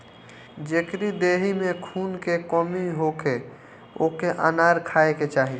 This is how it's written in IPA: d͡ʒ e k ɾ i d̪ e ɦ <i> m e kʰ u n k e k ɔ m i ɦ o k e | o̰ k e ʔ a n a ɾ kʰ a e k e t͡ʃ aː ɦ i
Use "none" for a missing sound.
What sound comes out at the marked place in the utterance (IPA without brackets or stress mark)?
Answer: i